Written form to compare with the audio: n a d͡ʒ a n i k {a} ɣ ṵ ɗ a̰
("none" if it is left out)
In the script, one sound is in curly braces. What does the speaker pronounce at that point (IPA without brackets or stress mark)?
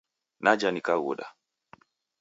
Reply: a